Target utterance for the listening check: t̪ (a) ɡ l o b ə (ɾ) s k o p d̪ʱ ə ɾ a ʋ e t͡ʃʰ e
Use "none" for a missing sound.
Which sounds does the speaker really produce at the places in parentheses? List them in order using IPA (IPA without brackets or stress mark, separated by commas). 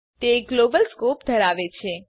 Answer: e, l